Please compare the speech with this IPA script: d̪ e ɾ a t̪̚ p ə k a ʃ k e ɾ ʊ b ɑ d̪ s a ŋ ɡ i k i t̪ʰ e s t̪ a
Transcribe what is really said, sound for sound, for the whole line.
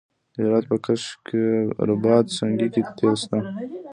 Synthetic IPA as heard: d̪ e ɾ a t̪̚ p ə k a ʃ k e ɾ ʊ b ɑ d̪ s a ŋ ɡ i k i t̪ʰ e s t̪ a